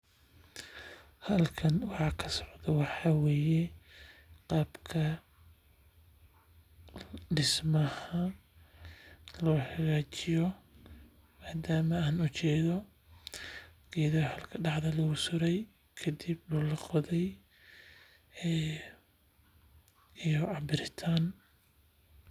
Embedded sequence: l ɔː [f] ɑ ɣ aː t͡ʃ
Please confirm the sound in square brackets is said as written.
no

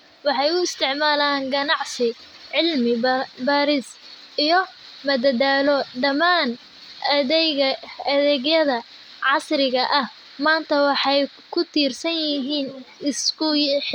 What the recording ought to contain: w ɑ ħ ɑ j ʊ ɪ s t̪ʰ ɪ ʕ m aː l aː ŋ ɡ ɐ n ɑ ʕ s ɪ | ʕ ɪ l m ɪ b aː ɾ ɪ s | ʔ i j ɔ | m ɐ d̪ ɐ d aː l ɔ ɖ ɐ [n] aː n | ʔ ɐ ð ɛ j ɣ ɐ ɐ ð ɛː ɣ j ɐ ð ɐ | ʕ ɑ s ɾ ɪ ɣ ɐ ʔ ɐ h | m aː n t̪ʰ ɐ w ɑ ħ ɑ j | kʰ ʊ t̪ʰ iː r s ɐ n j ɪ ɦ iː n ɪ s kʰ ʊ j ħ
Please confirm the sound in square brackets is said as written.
no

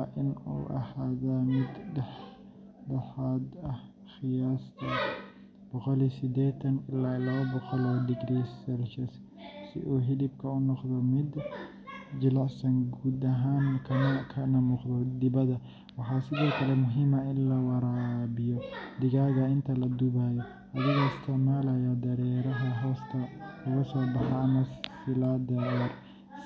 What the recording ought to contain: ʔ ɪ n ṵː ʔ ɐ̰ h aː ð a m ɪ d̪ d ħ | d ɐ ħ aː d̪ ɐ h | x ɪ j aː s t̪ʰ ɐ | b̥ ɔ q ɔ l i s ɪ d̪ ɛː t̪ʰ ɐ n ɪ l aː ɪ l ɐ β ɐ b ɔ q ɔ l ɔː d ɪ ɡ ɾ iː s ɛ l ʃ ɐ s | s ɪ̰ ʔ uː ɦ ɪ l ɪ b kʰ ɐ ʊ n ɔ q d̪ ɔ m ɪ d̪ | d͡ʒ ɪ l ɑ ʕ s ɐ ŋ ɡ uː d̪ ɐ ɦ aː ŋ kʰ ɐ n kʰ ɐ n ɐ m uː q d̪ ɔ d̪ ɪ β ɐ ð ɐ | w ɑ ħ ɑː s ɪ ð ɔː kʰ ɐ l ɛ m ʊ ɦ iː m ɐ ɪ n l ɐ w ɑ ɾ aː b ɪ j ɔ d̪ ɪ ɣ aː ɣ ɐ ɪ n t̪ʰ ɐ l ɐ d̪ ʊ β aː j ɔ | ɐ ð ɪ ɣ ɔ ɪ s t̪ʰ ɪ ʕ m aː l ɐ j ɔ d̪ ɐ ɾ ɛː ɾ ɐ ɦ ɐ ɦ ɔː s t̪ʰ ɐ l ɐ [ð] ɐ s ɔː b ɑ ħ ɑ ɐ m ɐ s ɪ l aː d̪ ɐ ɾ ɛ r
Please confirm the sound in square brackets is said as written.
no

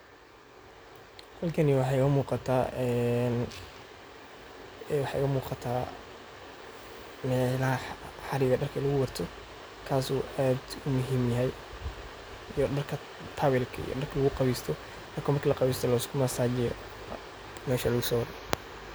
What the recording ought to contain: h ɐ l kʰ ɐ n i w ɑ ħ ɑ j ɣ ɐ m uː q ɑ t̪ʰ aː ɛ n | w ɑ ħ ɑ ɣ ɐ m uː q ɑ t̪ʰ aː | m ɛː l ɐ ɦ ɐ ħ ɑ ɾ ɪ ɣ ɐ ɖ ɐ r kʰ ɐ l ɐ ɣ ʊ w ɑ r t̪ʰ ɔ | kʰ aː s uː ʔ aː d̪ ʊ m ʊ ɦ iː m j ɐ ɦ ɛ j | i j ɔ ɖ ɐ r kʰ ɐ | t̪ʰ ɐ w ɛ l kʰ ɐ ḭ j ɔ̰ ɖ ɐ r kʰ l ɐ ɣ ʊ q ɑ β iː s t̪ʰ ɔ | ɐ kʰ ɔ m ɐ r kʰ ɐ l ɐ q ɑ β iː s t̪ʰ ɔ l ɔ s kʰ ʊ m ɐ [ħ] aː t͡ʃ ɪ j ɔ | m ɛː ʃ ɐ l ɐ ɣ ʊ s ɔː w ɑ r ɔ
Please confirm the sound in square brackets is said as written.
no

